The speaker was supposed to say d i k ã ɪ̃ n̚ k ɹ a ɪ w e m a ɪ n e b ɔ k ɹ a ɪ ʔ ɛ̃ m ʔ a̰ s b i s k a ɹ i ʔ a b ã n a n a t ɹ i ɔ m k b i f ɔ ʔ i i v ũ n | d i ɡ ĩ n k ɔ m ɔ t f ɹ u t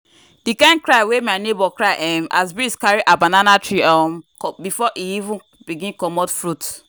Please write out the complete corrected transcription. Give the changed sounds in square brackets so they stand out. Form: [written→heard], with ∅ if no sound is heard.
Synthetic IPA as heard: d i k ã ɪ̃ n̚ k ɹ a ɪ w e m a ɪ n e b ɔ k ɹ a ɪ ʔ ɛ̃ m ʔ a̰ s b i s k a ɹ i ʔ a b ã n a n a t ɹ i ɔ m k b i f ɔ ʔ i i v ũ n | [d→b] i ɡ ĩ n k ɔ m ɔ t f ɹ u t